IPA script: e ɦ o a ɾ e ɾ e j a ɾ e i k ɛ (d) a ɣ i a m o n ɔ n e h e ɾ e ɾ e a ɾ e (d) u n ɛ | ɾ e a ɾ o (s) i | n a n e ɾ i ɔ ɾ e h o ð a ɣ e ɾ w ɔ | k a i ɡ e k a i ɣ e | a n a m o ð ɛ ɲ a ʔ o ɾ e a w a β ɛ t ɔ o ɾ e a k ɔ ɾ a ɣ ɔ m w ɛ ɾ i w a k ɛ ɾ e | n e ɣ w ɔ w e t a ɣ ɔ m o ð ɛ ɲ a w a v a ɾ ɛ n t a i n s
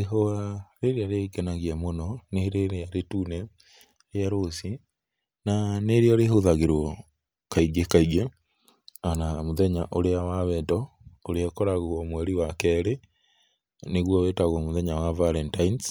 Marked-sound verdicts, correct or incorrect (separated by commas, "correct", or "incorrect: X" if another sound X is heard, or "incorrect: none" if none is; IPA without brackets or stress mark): incorrect: n, incorrect: t, correct